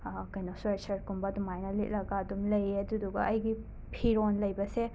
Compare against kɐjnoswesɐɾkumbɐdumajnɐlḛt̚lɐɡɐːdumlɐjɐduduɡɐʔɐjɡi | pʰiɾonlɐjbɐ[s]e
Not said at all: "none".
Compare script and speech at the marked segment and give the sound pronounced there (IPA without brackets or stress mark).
s